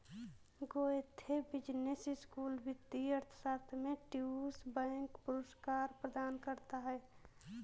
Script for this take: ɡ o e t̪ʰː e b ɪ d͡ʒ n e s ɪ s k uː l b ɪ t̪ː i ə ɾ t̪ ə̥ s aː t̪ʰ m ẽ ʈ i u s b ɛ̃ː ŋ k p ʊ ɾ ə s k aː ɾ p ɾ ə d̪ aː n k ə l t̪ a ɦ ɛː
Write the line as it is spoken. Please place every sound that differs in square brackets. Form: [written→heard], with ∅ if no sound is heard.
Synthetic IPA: ɡ o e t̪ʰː e b ɪ d͡ʒ n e s ɪ s k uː l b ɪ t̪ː i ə ɾ [t̪→t̪ʰ] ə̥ s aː t̪ʰ m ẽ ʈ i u s b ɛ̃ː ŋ k p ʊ ɾ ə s k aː ɾ p ɾ ə d̪ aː n k ə [l→ɾ] t̪ a ɦ ɛː